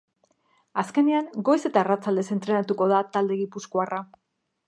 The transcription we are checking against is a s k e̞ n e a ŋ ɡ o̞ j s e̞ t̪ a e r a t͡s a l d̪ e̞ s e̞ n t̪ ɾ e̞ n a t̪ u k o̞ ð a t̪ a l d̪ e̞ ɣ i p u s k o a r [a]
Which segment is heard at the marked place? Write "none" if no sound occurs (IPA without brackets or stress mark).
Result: a